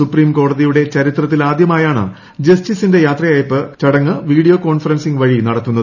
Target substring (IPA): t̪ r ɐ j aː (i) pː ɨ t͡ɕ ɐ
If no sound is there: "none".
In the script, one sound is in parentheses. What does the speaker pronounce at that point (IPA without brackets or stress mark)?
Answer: j